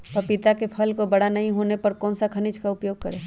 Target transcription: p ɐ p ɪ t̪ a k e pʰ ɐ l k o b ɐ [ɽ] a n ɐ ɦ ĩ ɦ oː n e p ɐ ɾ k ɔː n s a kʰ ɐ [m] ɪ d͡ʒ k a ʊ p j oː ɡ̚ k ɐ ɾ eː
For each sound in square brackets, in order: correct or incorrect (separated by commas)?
correct, incorrect